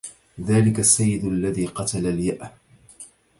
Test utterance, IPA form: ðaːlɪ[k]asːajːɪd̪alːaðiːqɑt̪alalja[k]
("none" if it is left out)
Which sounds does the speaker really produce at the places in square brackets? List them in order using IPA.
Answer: k, ʔ

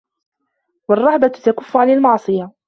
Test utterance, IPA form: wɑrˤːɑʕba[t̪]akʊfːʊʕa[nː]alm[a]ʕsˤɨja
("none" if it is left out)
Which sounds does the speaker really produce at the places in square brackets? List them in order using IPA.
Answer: t̪, n, ɑ

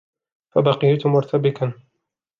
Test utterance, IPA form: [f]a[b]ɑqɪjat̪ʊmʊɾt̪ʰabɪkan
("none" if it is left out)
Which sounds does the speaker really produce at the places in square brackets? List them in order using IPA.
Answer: f, b

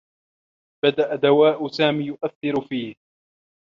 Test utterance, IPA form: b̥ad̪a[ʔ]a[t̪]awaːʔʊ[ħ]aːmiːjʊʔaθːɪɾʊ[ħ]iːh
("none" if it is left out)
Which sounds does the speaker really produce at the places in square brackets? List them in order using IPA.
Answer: ʔ, d̪, s, f

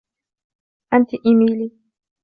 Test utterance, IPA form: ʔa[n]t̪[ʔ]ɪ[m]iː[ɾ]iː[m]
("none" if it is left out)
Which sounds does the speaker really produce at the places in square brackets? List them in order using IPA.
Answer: n, ʔ, m, l, none

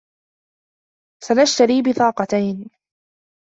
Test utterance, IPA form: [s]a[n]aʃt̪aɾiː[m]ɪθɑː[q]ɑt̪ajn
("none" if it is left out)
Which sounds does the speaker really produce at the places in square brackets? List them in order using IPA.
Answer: s, n, b, q

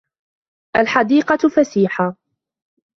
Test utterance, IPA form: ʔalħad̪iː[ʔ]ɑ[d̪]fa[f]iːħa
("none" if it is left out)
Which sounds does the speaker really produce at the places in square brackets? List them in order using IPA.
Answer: q, none, s

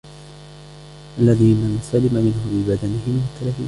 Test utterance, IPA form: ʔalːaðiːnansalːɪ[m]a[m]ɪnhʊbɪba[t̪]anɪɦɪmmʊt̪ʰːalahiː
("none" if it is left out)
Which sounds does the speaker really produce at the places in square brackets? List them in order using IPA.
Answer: m, m, d̪

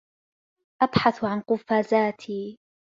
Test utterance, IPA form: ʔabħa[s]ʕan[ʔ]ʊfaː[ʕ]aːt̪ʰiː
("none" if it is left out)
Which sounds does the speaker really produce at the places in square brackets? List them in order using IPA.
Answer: θ, q, z

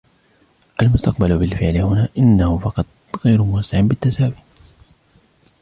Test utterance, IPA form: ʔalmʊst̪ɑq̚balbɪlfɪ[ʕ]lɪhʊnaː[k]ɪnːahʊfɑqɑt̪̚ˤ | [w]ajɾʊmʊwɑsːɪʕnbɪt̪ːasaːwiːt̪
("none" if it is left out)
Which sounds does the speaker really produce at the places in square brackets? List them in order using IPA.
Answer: ʕ, ʔ, ɣ

